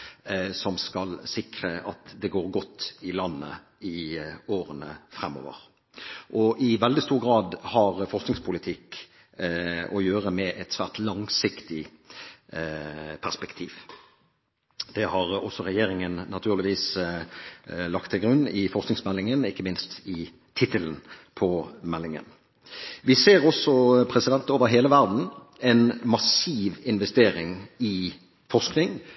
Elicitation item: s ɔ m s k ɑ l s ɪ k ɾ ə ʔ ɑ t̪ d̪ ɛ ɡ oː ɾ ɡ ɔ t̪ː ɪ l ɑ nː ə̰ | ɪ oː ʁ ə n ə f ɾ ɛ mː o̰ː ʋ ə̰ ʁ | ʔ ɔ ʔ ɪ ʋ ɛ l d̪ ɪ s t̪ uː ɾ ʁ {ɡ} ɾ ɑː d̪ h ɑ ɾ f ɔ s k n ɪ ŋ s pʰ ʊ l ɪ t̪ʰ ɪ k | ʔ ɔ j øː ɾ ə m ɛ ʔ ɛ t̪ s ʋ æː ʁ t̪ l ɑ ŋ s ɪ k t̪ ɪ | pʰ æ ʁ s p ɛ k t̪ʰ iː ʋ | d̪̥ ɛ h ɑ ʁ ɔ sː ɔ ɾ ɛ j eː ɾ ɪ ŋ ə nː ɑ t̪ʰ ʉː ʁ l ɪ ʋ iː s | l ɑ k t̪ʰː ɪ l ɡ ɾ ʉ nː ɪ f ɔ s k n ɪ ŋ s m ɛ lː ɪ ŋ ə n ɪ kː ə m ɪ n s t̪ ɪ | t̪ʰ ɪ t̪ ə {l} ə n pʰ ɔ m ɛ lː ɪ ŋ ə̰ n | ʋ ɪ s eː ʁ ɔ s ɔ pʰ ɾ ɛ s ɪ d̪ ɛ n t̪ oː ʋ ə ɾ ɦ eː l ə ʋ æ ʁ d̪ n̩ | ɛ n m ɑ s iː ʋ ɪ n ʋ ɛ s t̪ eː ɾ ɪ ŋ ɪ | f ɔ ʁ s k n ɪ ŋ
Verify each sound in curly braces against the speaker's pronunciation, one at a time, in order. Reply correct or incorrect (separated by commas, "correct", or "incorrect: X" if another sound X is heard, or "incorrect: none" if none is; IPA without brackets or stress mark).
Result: correct, correct